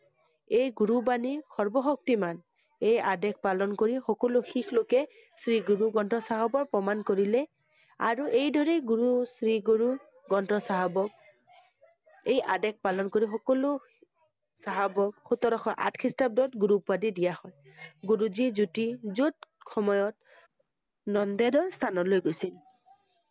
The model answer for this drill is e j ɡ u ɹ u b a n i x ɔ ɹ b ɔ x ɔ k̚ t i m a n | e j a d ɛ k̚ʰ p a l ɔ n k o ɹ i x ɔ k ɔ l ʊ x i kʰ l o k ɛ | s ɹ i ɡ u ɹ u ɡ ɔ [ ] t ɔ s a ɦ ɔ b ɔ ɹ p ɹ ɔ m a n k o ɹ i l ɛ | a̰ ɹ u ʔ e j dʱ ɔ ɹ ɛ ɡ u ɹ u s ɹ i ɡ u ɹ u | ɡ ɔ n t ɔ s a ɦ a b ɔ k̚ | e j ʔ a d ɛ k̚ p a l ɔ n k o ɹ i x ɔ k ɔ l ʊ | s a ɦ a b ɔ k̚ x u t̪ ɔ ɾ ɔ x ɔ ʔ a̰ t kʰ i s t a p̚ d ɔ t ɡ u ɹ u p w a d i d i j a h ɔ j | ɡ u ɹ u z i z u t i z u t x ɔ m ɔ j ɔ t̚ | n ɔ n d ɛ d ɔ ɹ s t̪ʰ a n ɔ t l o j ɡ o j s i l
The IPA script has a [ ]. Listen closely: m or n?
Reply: n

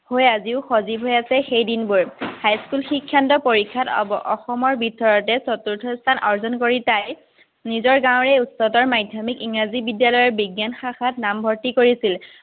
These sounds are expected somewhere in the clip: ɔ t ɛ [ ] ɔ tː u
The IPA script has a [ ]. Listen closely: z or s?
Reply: s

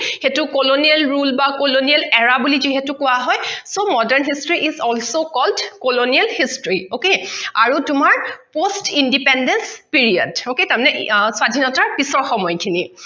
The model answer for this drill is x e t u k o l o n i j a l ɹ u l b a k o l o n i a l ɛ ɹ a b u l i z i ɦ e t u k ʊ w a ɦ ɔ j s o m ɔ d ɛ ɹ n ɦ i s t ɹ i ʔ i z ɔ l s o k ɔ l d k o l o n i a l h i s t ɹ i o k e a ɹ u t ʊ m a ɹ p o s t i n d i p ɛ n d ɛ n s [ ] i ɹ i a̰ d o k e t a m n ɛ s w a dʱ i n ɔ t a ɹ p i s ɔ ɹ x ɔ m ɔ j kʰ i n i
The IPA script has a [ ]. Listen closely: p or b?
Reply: p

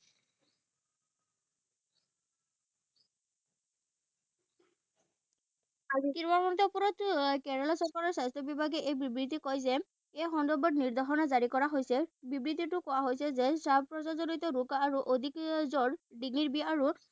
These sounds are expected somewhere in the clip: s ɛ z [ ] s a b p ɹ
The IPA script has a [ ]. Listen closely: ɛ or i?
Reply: ɛ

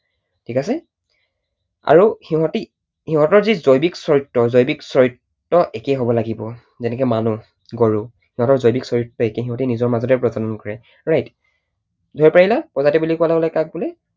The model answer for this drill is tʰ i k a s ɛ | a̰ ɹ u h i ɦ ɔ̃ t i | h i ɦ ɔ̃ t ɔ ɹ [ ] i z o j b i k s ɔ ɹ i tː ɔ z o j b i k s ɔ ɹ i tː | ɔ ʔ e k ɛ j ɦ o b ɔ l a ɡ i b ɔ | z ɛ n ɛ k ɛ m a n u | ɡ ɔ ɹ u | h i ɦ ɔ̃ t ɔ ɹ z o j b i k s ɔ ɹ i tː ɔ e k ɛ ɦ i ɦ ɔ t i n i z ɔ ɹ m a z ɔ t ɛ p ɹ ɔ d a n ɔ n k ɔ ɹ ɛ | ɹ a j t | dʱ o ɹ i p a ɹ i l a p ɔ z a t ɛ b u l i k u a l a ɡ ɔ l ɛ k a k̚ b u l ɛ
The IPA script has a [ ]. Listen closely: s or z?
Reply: z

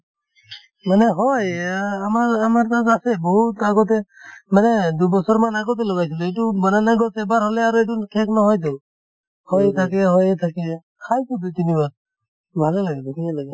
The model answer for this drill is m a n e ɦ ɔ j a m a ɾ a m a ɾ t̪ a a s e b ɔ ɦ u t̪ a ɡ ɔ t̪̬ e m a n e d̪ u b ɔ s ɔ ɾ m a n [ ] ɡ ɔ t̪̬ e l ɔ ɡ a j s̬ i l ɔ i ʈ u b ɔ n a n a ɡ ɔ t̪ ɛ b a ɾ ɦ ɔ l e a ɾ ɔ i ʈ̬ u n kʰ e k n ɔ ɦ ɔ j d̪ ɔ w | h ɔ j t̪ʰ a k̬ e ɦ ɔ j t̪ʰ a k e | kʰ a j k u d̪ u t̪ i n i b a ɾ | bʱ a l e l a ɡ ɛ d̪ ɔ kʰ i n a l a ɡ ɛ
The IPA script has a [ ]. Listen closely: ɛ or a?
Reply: a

